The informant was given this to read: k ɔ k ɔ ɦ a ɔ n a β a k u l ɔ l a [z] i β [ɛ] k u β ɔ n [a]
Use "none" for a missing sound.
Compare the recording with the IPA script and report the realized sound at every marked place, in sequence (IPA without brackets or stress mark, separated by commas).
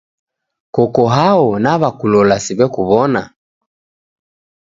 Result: s, ɛ, a